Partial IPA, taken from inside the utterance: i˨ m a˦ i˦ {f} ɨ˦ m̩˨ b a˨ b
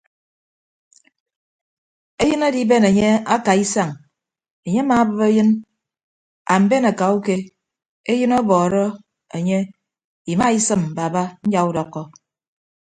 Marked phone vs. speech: incorrect: s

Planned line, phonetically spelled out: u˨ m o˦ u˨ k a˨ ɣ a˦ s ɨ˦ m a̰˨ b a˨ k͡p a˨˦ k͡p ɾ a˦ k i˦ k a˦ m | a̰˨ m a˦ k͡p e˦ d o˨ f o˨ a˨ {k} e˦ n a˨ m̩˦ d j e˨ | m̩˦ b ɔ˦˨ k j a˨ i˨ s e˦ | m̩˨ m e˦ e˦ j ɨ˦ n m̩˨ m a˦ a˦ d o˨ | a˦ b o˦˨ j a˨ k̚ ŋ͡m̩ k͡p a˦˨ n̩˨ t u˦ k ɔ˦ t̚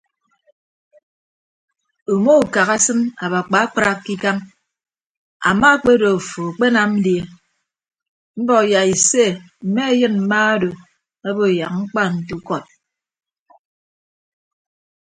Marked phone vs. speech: incorrect: k͡p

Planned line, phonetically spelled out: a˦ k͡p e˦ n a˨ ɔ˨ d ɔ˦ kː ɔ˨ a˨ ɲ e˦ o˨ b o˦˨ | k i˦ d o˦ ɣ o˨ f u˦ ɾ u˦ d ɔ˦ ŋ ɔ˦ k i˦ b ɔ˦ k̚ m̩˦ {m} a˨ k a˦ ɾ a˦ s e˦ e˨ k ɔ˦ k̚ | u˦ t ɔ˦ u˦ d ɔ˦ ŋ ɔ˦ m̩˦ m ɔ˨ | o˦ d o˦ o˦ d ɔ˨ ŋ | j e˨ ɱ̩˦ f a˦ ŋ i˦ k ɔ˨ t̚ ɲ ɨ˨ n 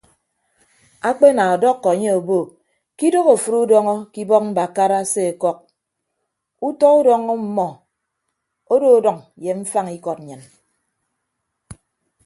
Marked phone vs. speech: incorrect: b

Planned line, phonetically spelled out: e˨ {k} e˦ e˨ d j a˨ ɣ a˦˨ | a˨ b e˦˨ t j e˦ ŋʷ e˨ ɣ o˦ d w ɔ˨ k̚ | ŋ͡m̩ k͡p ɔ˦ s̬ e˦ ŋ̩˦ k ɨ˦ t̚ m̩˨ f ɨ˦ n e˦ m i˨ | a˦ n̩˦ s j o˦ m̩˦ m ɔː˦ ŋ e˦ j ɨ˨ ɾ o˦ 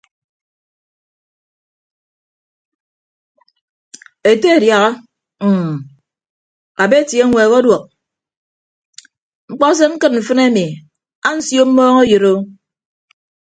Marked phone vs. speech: incorrect: t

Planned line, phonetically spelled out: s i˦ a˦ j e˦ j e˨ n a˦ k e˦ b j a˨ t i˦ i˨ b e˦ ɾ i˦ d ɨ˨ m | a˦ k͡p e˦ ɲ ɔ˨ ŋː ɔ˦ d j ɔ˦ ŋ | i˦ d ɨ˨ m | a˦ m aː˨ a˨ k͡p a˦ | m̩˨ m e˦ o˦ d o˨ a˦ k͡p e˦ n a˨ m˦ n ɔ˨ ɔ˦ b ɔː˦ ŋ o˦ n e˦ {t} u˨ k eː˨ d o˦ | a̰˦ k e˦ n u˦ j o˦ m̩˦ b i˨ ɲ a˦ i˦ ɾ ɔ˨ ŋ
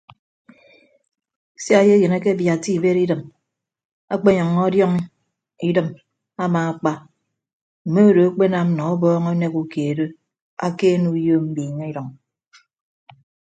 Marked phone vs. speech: incorrect: k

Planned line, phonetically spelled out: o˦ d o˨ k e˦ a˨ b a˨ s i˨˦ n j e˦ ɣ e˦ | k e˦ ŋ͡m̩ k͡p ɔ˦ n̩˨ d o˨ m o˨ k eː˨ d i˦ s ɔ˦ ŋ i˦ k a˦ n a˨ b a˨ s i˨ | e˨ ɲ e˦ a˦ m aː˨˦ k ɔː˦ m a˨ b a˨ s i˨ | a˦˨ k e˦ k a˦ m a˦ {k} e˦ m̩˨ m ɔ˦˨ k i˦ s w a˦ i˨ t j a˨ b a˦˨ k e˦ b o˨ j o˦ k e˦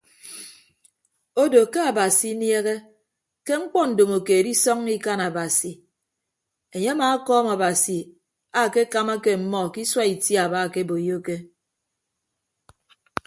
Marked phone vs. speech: correct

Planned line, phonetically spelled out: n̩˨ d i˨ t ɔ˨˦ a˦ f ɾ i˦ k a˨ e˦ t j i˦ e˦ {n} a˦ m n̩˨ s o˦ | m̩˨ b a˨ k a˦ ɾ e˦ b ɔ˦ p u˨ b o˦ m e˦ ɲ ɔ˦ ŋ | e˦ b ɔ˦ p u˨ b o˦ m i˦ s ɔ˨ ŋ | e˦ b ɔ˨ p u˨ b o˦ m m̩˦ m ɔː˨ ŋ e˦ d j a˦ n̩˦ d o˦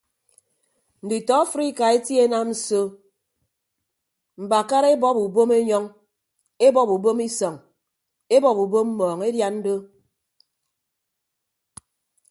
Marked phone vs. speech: correct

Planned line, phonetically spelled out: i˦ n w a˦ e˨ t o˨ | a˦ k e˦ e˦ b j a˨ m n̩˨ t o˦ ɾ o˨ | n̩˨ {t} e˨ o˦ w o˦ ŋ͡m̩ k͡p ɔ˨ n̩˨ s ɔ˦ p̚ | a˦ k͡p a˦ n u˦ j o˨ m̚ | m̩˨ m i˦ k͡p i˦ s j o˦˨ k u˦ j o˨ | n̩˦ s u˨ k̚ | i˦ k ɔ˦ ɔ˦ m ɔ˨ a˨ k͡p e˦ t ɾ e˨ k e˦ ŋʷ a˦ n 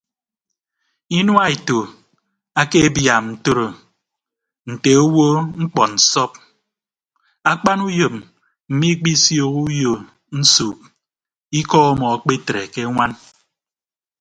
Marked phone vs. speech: correct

